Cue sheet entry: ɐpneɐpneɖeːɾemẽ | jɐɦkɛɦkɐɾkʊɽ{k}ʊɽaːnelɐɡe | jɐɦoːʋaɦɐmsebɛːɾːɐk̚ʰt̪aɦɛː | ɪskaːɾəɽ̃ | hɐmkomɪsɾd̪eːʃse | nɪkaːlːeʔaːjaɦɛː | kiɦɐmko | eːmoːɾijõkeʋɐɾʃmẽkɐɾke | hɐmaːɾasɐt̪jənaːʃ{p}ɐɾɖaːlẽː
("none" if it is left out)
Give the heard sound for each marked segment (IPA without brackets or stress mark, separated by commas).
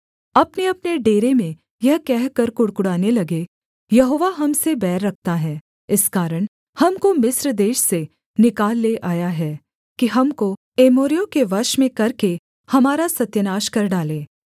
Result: k, k